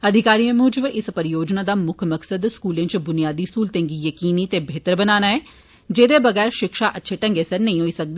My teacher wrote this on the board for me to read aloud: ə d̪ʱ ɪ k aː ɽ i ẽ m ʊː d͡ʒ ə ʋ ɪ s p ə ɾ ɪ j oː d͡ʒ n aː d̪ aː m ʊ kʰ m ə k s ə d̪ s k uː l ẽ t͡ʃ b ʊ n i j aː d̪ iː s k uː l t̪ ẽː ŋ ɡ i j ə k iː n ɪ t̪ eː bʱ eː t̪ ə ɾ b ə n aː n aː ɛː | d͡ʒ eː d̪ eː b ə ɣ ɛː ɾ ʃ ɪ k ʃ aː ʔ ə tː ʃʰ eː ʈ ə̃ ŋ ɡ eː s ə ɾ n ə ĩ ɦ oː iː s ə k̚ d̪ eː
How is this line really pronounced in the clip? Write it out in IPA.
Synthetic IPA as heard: ə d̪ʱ ɪ k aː ɾ i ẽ m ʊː d͡ʒ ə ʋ ɪ s p ə ɾ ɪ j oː d͡ʒ n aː d̪ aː m ʊ kʰ m ə k s ə d̪ s k uː l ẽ t͡ʃ b ʊ n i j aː d̪ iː s k uː l t̪ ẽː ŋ ɡ i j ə k iː n i t̪ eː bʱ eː t̪ ə ɾ b ə n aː n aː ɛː | d͡ʒ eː d̪ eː b ə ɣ ɛː ɾ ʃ ɪ k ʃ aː ʔ ə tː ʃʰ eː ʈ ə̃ ŋ ɡ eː s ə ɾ n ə ĩ ɦ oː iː s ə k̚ d̪ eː